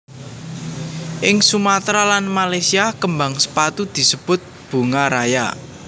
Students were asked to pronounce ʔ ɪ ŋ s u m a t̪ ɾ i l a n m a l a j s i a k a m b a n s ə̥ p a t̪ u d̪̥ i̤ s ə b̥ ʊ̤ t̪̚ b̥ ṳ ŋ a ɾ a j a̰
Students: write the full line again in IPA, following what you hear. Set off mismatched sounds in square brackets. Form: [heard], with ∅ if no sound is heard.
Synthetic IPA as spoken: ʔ ɪ ŋ s u m a t̪ ɾ [a] l a n m a l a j s i a k [ə] m b a [ŋ] s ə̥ p a t̪ u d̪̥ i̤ s ə b̥ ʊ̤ t̪̚ b̥ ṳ ŋ a ɾ a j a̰